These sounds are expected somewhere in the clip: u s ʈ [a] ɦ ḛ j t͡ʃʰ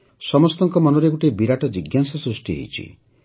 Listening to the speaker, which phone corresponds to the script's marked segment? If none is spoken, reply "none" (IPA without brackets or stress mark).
i